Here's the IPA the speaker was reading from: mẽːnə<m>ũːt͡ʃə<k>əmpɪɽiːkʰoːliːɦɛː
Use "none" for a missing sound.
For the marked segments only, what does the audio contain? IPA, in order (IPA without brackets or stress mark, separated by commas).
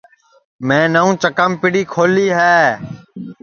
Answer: none, k